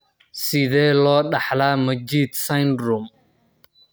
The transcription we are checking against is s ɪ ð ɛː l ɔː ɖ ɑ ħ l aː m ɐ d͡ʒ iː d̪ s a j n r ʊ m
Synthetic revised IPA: s ɪ ð ɛː l ɔː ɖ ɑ ħ l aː m ɐ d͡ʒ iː d̪ s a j n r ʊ m

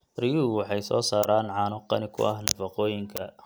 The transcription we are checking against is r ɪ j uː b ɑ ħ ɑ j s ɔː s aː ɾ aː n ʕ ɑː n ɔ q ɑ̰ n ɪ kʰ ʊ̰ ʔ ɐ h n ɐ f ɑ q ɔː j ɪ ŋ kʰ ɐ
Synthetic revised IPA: r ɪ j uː w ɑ ħ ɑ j s ɔː s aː ɾ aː n ʕ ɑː n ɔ q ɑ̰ n ɪ kʰ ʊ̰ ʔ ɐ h n ɐ f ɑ q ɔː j ɪ ŋ kʰ ɐ

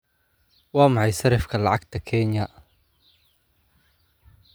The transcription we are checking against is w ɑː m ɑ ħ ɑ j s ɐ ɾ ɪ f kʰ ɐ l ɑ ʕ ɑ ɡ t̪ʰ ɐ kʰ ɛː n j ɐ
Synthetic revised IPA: w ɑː m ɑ ħ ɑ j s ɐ ɾ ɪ f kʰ ɐ l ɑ ʕ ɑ ɡ t̪ʰ ɐ kʰ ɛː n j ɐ

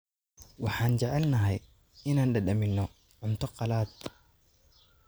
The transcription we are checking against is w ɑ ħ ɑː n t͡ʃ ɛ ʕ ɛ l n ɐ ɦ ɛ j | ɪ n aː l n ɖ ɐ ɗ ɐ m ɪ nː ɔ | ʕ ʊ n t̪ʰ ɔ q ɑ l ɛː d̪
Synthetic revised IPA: w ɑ ħ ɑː n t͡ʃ ɛ ʕ ɛ l n ɐ ɦ ɛ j | ɪ n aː n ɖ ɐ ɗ ɐ m ɪ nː ɔ | ʕ ʊ n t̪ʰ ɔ q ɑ l aː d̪

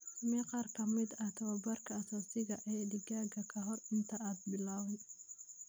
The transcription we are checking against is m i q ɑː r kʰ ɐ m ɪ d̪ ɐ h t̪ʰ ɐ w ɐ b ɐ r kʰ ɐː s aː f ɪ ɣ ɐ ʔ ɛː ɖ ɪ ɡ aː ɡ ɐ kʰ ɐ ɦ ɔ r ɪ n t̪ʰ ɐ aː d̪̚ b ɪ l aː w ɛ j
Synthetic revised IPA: m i q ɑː r kʰ ɐ m ɪ d̪ ɐ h t̪ʰ ɐ w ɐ b ɐ r kʰ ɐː s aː s ɪ ɣ ɐ ʔ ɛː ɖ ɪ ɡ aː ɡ ɐ kʰ ɐ ɦ ɔ r ɪ n t̪ʰ ɐ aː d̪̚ b ɪ l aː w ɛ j

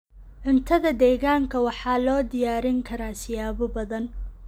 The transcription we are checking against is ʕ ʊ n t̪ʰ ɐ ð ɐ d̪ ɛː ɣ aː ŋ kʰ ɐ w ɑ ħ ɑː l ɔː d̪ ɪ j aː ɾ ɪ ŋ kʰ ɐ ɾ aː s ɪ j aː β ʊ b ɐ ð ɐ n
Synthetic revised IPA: ʕ ʊ n t̪ʰ ɐ ð ɐ d̪ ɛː ɣ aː ŋ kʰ ɐ w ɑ ħ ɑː l ɔː d̪ ɪ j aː ɾ ɪ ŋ kʰ ɐ ɾ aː s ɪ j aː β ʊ b ɐ ð ɐ n

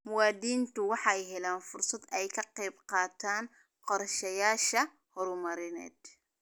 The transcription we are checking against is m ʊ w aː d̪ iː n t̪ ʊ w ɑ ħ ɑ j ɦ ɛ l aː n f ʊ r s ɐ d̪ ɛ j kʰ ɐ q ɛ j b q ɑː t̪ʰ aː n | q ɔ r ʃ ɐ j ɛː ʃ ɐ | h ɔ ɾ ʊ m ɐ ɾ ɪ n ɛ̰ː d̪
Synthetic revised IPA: m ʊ w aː d̪ iː n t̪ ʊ w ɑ ħ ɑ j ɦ ɛ l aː n f ʊ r s ɐ d̪ ɛ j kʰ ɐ q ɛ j b q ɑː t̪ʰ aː n | q ɔ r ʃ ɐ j aː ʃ ɐ | h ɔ ɾ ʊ m ɐ ɾ ɪ n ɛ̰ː d̪

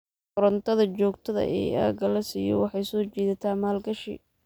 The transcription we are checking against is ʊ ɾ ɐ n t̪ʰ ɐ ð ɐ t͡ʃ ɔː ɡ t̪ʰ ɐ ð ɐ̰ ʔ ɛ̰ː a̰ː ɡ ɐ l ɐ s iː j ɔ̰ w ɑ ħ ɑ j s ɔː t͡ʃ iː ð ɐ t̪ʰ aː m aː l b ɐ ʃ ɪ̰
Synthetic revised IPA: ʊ ɾ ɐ n t̪ʰ ɐ ð ɐ t͡ʃ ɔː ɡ t̪ʰ ɐ ð ɐ̰ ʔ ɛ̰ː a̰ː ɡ ɐ l ɐ s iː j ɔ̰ w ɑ ħ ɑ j s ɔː t͡ʃ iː ð ɐ t̪ʰ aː m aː l ɡ ɐ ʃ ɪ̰

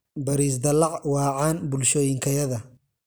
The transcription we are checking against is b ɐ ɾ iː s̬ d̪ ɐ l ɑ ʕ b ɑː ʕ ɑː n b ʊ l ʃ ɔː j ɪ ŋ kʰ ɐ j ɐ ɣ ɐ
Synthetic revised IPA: b ɐ ɾ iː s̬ d̪ ɐ l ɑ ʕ w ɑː ʕ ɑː n b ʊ l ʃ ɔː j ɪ ŋ kʰ ɐ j ɐ ð ɐ

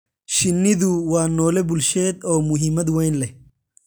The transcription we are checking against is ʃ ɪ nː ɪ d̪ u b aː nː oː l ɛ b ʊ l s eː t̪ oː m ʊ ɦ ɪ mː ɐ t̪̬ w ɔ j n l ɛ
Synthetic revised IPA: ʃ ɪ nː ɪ d̪ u w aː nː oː l ɛ b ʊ l ʃ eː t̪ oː m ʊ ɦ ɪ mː ɐ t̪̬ w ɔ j n l ɛ

